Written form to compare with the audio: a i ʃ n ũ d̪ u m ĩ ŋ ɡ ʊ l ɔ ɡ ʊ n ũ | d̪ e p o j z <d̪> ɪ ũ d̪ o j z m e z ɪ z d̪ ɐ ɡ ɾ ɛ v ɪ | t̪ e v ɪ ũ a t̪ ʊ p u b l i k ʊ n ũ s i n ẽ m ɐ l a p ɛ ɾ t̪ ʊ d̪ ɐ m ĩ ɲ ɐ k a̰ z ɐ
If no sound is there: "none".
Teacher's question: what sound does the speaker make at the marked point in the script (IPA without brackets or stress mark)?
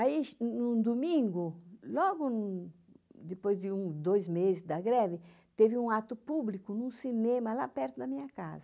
d̪